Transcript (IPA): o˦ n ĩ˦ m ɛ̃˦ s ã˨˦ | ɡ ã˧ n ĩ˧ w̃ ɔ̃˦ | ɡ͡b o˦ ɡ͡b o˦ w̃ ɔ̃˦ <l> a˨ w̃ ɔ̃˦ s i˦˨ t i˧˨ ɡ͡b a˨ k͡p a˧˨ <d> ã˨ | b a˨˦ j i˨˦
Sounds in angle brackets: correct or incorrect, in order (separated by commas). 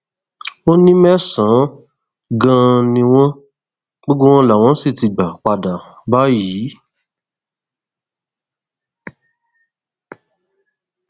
correct, correct